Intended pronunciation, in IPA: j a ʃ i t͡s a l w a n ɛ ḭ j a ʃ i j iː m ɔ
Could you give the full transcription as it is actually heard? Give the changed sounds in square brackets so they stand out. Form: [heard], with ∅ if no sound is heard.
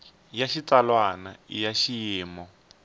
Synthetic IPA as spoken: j a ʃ i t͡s a l w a n [a] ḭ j a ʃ i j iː m ɔ